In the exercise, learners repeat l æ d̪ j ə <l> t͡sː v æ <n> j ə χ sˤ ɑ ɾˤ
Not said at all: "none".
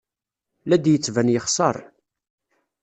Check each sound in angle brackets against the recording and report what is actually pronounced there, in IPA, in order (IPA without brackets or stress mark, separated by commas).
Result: none, n